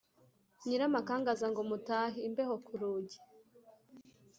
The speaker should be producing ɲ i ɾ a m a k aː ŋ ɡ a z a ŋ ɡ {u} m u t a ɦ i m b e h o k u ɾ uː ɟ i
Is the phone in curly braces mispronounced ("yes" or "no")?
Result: yes